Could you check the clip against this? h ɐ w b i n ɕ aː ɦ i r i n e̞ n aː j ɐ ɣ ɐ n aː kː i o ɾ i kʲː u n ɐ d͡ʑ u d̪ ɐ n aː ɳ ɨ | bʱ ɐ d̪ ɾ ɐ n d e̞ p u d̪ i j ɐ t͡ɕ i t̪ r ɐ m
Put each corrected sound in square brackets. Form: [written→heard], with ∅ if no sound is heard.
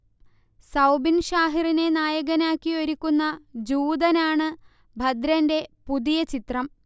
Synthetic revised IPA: [h→s] ɐ w b i n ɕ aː ɦ i r i n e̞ n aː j ɐ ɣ ɐ n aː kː i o ɾ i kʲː u [n→nː] ɐ d͡ʑ [u→uː] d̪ ɐ n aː ɳ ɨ | bʱ ɐ d̪ ɾ ɐ n d e̞ p u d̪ i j ɐ t͡ɕ i t̪ r ɐ m